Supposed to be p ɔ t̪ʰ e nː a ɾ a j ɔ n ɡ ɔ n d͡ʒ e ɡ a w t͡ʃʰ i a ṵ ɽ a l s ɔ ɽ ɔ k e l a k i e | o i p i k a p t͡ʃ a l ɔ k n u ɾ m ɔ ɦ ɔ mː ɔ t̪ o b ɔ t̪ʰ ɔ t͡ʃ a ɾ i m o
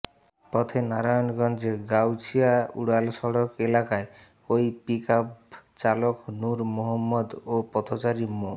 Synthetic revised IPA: p ɔ t̪ʰ e n a ɾ a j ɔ n ɡ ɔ n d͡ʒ e ɡ a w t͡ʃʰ i a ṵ ɽ a l s ɔ ɽ ɔ k e l a k a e | o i p i k a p t͡ʃ a l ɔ k n u ɾ m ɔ ɦ ɔ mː ɔ d̪ o p ɔ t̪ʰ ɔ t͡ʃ a ɾ i m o